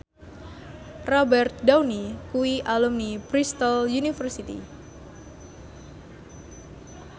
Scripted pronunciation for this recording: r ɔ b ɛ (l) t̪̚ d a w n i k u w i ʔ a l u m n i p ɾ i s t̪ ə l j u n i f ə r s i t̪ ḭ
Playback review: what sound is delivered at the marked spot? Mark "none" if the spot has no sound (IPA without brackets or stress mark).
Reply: r